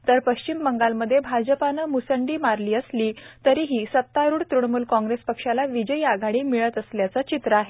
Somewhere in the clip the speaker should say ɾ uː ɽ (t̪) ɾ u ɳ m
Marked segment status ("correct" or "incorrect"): correct